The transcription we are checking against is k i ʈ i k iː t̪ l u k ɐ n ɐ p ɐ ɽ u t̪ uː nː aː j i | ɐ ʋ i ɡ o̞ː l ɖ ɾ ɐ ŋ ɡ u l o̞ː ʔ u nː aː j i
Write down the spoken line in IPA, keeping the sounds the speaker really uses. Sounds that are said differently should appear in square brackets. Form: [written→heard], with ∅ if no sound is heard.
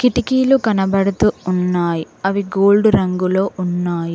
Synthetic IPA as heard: k i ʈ i k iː [t̪→∅] l u k ɐ n ɐ [p→b] ɐ ɽ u t̪ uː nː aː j i | ɐ ʋ i ɡ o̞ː l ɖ ɾ ɐ ŋ ɡ u l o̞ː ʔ u nː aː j i